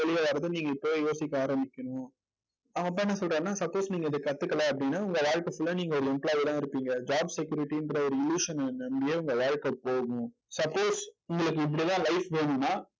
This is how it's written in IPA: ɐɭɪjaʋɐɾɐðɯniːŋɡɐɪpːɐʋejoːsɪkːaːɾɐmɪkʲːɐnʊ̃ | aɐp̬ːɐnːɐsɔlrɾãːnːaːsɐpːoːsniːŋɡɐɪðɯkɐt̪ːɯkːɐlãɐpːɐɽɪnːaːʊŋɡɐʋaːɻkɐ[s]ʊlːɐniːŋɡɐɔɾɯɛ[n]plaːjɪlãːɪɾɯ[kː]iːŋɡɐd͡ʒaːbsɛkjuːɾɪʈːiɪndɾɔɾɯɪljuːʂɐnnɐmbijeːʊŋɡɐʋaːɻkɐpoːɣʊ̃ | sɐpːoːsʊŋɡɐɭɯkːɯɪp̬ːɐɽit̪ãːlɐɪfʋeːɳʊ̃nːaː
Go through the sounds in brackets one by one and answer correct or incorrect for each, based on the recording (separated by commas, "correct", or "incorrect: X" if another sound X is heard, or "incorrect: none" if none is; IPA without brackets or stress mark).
incorrect: f, incorrect: m, incorrect: pː